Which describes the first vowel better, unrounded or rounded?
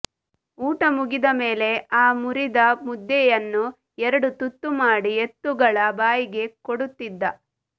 rounded